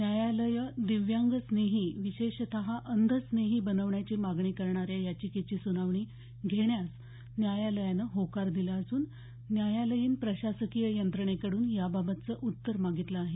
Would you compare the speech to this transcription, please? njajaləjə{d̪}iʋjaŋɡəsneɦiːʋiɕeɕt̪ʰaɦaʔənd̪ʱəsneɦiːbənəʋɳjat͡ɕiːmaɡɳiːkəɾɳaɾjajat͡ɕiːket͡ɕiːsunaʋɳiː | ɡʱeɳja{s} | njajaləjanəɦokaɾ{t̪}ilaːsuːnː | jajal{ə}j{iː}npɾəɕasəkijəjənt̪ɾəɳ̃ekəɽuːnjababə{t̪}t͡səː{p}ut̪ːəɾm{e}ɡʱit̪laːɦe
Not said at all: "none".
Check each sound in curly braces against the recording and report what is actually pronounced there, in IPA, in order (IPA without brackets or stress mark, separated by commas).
d̪, s, d̪, ə, iː, t̪, ʔ, a